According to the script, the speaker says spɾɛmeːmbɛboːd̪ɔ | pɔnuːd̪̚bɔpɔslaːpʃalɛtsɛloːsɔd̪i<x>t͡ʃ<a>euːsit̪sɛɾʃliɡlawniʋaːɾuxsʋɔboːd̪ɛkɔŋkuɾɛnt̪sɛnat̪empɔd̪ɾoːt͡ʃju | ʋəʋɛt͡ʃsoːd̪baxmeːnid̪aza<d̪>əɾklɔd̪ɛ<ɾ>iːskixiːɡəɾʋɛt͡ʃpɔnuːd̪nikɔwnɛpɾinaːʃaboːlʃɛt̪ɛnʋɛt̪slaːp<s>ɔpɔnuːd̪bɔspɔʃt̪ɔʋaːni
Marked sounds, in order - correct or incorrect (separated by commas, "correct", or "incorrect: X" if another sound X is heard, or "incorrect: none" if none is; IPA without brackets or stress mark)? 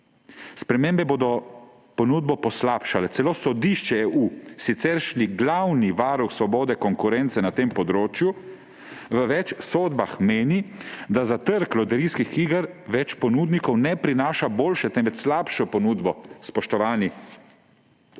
incorrect: ʃ, incorrect: ɛ, incorrect: t̪, correct, incorrect: ʃ